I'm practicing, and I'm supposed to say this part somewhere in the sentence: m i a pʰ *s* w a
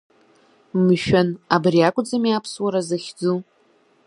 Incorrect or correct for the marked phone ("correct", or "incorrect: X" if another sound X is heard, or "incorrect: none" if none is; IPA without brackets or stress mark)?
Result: correct